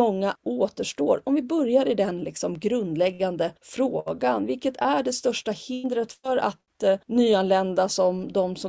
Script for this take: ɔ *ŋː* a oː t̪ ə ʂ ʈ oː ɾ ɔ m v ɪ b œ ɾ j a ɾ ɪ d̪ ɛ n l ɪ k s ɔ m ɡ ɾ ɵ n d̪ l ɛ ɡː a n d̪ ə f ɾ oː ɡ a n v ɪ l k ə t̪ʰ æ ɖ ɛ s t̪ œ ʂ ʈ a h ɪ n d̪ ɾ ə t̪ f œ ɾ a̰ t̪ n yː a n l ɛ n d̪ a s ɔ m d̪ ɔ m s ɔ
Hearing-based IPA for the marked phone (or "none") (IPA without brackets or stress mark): ŋː